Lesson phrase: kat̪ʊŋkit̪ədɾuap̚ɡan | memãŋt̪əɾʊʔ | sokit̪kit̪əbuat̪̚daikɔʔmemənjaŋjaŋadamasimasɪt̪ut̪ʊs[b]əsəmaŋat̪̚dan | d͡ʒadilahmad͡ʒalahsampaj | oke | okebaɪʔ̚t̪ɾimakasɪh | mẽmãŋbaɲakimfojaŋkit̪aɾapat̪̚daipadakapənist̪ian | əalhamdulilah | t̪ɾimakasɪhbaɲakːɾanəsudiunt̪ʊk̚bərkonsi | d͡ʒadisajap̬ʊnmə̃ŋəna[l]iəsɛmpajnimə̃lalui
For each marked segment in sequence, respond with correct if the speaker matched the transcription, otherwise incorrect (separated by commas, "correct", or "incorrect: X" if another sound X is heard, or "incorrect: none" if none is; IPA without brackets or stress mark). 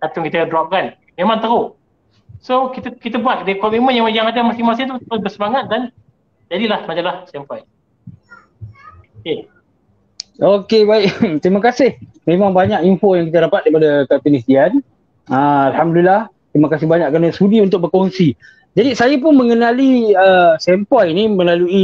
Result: correct, correct